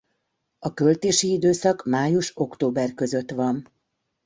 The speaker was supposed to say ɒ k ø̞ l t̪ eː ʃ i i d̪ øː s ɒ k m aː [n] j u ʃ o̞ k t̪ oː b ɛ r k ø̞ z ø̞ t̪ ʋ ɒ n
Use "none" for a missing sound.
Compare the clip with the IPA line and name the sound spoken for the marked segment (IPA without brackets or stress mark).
none